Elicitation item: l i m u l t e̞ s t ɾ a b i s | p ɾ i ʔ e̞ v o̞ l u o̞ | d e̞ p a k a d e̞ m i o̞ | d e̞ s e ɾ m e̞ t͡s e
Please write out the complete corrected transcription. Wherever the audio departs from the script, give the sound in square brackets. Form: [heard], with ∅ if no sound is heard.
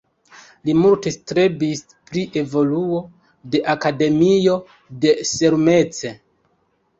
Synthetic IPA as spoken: l i m u l t e̞ s t ɾ [e] b i s | p ɾ i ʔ e̞ v o̞ l u o̞ | d e̞ [ʔ] a k a d e̞ m i o̞ | d e̞ s e ɾ m e̞ t͡s e